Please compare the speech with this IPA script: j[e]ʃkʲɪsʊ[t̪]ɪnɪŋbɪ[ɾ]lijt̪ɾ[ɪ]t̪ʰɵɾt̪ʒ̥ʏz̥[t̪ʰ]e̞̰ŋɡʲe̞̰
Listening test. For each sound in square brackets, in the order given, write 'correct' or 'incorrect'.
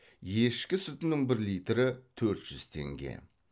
correct, correct, correct, correct, correct

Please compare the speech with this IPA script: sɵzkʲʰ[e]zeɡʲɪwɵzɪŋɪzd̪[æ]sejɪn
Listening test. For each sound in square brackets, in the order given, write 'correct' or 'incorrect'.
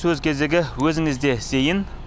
correct, incorrect: e

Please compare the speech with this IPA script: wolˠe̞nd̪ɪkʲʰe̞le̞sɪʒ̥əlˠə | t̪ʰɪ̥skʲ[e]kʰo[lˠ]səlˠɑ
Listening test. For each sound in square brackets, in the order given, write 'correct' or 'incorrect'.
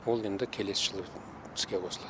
correct, incorrect: none

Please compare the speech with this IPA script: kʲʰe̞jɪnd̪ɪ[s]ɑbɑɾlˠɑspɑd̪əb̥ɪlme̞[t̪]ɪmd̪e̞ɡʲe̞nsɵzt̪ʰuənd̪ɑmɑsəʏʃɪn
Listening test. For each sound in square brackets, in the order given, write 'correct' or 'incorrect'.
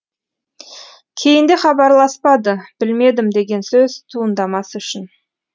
incorrect: χ, incorrect: d̪

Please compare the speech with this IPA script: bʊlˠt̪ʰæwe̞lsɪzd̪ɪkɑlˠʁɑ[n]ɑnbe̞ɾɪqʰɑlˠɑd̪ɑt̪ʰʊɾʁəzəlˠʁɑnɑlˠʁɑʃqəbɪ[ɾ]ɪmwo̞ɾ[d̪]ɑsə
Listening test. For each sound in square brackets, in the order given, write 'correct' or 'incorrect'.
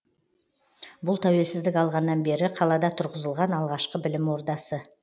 incorrect: nː, incorrect: l, correct

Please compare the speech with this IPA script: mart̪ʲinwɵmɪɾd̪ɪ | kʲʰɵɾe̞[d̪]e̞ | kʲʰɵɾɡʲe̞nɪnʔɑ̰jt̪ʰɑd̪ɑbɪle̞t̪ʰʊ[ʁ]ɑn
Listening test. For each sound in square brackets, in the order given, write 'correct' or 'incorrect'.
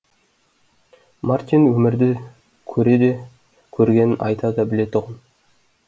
correct, correct

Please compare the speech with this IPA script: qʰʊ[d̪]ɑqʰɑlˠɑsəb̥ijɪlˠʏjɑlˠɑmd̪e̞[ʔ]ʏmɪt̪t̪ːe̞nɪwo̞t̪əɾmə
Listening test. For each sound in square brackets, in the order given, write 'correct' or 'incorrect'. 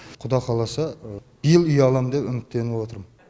correct, incorrect: p

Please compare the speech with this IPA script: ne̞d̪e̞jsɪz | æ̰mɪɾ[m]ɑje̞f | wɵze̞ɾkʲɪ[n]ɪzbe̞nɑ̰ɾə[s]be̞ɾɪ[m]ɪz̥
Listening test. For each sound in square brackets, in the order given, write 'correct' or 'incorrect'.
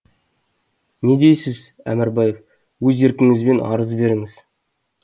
incorrect: b, incorrect: ŋ, incorrect: z, incorrect: ŋ

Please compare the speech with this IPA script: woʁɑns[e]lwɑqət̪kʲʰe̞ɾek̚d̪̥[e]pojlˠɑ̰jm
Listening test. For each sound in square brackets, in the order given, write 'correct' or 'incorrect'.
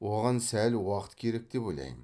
incorrect: æ, correct

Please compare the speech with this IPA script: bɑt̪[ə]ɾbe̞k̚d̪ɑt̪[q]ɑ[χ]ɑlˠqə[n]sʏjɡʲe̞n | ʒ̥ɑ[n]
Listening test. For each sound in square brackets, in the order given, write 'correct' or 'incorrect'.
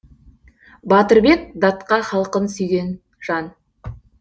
correct, correct, correct, correct, correct

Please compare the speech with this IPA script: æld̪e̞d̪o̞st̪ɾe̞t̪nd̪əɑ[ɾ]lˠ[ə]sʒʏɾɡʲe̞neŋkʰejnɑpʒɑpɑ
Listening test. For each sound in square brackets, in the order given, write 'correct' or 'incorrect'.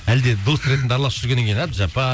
correct, incorrect: ɑ

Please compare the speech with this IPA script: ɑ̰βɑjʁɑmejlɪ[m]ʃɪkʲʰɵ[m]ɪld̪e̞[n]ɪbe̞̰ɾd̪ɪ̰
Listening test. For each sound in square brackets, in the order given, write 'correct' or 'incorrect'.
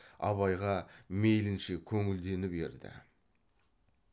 incorrect: n, incorrect: ŋ, correct

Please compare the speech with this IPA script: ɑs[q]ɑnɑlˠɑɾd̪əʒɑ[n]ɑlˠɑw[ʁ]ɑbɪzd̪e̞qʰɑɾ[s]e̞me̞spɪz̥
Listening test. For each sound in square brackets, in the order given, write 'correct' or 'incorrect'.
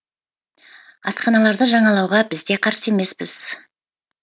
correct, incorrect: ɴ, correct, correct

